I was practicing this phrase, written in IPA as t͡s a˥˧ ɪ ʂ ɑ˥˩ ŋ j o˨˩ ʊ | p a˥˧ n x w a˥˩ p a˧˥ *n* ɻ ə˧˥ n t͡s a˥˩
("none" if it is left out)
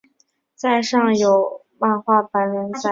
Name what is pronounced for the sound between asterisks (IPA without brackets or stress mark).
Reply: n